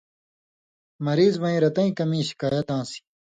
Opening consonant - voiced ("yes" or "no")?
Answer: yes